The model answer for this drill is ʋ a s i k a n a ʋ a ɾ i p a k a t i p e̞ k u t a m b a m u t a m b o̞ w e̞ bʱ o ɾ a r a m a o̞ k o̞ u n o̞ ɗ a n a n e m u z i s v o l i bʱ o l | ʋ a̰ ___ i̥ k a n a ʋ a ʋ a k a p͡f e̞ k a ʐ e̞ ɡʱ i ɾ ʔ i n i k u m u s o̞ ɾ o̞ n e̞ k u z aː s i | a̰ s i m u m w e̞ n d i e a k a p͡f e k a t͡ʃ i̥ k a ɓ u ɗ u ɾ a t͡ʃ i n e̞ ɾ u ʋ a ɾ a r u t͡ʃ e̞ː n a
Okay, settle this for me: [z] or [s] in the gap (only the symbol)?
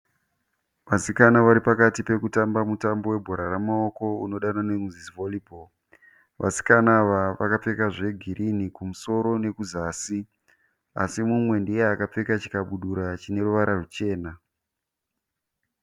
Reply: s